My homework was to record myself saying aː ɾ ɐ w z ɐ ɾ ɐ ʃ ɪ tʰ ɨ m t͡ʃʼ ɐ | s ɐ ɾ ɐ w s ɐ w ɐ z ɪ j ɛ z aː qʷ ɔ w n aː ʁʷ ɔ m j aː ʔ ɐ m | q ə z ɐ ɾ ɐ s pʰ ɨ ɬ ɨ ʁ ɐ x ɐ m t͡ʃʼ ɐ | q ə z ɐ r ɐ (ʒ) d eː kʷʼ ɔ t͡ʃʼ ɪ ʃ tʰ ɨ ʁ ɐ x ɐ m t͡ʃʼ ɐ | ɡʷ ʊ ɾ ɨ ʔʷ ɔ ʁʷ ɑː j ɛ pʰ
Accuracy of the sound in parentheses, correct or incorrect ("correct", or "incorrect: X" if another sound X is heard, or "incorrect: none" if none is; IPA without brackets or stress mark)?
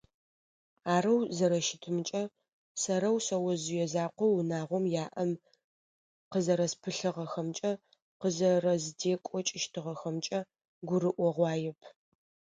incorrect: z